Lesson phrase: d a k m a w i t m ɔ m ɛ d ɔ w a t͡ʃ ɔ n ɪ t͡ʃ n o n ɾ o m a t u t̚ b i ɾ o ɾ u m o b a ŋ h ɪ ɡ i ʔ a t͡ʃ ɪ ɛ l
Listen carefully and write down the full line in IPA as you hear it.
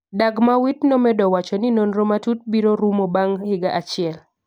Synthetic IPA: d a ɡ m a w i t n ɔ m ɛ d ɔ w a t͡ʃ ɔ n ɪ n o n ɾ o m a t u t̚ b i ɾ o ɾ u m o b a ŋ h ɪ ɡ a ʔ a t͡ʃ ɪ ɛ l